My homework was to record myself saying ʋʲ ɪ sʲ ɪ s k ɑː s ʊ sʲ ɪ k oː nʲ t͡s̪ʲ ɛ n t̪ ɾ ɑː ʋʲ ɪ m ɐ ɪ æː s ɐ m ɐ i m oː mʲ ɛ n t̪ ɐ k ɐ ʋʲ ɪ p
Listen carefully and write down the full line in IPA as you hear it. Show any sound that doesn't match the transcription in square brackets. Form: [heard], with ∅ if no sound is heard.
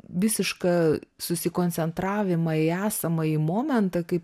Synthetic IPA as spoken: ʋʲ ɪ sʲ ɪ [ʃ] k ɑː s ʊ sʲ ɪ k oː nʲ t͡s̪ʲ ɛ n t̪ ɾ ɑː ʋʲ ɪ m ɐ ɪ æː s ɐ m ɐ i m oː mʲ ɛ n t̪ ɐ k ɐ [∅] ɪ p